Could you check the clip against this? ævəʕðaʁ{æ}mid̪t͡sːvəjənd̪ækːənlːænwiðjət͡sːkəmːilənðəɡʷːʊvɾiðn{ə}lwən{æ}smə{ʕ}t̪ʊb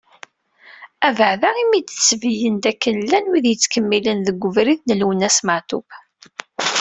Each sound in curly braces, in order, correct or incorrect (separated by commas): incorrect, correct, correct, correct